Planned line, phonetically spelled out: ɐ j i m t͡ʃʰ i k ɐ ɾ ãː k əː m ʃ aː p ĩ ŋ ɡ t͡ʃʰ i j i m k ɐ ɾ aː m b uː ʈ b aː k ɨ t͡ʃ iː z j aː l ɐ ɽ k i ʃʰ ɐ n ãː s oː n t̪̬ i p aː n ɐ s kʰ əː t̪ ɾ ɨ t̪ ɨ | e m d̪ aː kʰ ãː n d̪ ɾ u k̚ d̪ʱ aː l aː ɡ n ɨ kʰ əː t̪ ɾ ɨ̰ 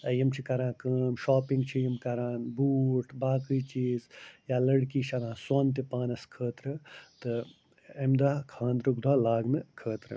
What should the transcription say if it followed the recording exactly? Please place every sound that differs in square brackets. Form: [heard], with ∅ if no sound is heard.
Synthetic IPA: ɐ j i m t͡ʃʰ i k ɐ ɾ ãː k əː m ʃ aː p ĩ ŋ ɡ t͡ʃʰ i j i m k ɐ ɾ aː [n] b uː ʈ b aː k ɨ t͡ʃ iː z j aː l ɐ ɽ k i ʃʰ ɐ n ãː s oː n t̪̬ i p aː n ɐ s kʰ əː t̪ ɾ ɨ t̪ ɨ | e m d̪ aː kʰ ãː n d̪ ɾ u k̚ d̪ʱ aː l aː ɡ n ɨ kʰ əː t̪ ɾ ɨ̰